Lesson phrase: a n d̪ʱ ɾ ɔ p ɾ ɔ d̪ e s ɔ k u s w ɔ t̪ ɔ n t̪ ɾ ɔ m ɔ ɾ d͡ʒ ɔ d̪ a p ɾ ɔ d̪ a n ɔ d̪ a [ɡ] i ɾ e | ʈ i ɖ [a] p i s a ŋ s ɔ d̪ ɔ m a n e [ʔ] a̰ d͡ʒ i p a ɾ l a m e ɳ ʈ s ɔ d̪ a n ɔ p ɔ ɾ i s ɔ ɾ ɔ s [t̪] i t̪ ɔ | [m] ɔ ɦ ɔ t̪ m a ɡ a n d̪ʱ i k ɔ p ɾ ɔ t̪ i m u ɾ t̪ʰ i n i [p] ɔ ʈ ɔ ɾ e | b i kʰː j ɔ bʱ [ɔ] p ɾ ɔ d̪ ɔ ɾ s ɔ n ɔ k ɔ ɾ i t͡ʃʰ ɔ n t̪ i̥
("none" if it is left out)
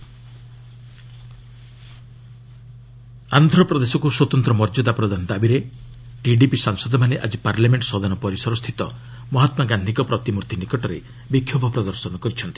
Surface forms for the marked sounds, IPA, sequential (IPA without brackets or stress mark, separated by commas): b, i, ʔ, t̪ʰ, m, k, ɔ